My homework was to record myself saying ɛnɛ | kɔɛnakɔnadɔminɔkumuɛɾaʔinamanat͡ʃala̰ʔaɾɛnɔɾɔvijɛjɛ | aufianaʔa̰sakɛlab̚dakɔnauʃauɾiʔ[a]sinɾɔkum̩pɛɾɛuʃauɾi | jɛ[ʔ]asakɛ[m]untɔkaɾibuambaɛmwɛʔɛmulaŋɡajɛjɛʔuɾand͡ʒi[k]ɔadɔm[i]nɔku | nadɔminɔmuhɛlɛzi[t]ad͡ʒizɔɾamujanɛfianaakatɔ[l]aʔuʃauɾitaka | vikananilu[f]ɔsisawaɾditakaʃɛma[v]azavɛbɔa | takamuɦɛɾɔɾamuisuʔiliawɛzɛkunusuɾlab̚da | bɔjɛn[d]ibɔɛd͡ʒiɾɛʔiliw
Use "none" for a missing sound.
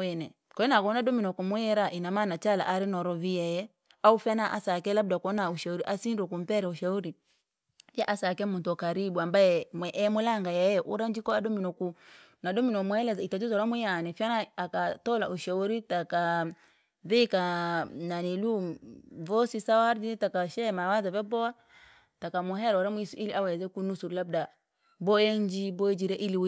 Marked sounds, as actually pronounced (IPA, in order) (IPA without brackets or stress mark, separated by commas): a, ʔ, m, k, i, t, l, v, w, d͡ʒ